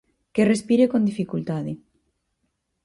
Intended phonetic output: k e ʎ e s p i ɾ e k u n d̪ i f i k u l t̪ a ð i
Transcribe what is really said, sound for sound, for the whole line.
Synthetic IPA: k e r e s p i ɾ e k o n d̪ i f i k u l t̪ a ð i